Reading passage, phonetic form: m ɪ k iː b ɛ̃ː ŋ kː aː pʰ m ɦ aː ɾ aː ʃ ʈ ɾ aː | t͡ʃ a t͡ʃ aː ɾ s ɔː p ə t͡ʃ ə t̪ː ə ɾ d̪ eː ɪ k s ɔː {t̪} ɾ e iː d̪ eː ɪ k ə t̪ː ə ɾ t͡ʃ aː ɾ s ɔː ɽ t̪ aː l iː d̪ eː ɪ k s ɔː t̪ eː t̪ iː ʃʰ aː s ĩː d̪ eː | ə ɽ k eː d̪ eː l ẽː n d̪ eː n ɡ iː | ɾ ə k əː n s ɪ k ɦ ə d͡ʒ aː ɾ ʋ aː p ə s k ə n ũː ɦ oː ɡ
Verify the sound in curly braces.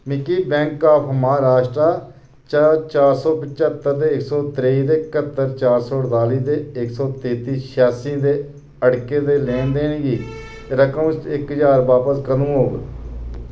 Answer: correct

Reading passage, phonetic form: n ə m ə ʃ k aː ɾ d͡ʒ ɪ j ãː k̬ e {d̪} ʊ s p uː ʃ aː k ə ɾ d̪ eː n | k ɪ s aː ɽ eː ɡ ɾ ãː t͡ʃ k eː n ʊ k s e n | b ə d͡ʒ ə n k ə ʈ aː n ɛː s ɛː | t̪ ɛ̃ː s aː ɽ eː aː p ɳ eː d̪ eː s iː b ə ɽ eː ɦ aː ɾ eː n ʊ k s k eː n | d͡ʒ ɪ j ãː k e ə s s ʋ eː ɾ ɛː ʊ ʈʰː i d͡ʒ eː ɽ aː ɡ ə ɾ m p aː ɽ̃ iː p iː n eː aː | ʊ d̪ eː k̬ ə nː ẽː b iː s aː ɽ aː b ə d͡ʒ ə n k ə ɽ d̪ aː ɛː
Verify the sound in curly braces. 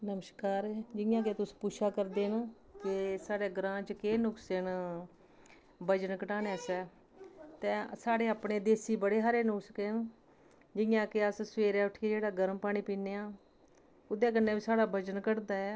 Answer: incorrect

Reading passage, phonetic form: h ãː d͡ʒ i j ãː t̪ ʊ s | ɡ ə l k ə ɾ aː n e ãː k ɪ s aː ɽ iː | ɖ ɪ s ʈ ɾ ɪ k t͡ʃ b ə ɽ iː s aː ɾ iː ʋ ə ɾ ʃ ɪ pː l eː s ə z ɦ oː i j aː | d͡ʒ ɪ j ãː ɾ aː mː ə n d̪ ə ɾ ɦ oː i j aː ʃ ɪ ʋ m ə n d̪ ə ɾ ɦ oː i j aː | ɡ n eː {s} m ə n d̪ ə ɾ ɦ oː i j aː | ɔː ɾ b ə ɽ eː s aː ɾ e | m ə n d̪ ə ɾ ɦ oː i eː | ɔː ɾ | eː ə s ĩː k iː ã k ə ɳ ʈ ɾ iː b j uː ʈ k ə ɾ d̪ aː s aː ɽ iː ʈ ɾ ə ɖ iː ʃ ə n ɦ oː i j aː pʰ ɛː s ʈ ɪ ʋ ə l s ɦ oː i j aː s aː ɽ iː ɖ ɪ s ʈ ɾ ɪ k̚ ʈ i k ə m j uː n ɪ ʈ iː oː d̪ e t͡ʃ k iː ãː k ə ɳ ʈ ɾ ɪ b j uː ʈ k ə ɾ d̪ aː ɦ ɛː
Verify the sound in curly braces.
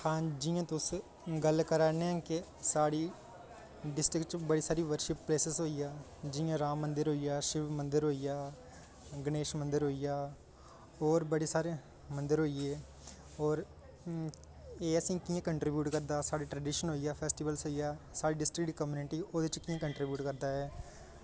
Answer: incorrect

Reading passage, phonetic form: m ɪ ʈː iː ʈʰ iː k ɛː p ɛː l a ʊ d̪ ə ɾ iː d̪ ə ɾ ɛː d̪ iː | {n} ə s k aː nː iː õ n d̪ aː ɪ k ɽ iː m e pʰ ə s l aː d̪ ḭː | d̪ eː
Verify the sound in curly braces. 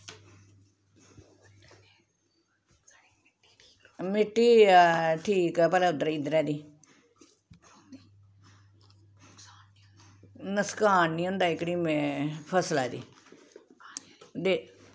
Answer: correct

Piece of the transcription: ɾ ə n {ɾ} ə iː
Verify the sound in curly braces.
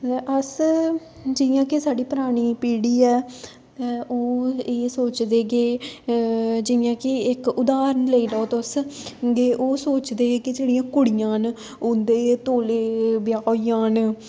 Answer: incorrect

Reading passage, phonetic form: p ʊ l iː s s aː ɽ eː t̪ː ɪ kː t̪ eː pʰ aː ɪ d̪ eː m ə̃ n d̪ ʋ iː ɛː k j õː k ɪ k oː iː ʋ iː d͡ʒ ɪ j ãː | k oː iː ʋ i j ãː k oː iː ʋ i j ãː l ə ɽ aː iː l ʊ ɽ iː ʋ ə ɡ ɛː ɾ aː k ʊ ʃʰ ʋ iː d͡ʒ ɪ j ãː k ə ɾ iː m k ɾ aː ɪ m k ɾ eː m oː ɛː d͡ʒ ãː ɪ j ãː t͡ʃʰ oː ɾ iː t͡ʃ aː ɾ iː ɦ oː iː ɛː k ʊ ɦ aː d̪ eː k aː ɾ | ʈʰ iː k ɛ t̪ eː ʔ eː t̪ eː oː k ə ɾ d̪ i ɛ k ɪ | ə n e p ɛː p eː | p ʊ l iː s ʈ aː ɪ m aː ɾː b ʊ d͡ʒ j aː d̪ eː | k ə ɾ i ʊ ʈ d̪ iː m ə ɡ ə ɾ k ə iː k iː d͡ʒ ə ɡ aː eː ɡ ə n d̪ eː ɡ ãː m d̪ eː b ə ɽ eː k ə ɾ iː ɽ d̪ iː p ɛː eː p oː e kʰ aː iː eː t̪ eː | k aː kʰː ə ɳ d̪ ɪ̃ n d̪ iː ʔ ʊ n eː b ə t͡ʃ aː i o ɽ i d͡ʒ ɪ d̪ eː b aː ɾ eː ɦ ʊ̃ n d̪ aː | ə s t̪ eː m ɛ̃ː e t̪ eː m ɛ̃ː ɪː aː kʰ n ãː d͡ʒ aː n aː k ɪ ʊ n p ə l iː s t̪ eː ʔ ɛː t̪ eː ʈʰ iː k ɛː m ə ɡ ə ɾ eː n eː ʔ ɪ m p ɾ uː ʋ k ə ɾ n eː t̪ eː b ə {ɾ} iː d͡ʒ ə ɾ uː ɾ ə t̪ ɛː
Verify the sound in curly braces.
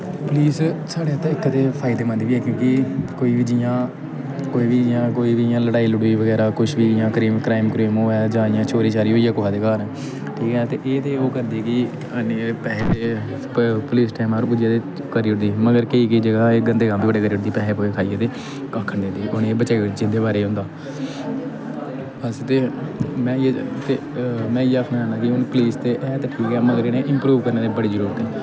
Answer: incorrect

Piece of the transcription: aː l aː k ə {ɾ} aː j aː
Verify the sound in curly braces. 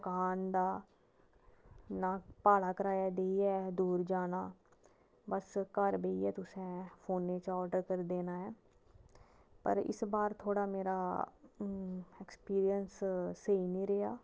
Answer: correct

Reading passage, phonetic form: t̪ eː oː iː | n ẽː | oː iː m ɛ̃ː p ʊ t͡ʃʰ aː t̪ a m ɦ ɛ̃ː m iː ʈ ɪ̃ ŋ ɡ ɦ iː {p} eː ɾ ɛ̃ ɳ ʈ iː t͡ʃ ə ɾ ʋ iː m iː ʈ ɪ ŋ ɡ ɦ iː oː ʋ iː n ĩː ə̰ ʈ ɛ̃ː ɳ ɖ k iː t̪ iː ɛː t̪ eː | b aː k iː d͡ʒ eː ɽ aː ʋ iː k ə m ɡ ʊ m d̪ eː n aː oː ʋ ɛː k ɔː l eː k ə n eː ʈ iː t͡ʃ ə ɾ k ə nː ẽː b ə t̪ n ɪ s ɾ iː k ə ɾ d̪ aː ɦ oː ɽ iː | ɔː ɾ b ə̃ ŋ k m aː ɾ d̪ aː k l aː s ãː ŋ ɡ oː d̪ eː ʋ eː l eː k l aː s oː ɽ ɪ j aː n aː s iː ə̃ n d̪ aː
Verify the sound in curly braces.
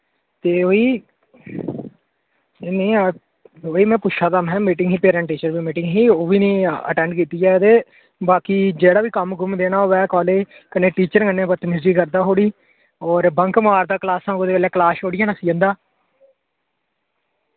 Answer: correct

